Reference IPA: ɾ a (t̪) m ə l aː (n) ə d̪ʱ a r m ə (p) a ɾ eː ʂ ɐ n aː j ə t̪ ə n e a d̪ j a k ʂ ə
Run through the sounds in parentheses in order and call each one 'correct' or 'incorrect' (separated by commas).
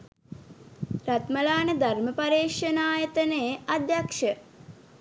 correct, correct, correct